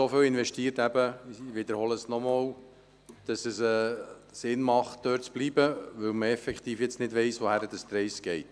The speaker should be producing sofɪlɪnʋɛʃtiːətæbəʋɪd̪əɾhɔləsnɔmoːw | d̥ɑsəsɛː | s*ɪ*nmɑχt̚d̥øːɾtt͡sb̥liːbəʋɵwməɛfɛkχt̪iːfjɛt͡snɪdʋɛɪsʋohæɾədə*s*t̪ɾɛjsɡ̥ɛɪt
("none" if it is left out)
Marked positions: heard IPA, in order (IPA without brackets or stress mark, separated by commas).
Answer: ɪ, s